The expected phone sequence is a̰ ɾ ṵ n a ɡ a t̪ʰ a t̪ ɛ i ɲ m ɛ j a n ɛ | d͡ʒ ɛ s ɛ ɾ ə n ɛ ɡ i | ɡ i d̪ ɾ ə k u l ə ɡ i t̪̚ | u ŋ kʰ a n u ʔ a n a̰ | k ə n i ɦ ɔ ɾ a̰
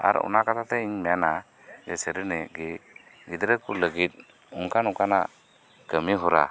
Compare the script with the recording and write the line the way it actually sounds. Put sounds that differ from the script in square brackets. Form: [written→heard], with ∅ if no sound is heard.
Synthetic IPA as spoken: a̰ ɾ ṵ n a [ɡ→k] a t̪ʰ a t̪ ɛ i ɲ m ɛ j a n [ɛ→a] | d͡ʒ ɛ s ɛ ɾ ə n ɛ ɡ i | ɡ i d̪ ɾ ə k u l ə ɡ i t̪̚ | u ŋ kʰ a n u [ʔ→k] a n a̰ | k ə [n→m] i ɦ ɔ ɾ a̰